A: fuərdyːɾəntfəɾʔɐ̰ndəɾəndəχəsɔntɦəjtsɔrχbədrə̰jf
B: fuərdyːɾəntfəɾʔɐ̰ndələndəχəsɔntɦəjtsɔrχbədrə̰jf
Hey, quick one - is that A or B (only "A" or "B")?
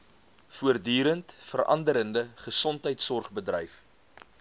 A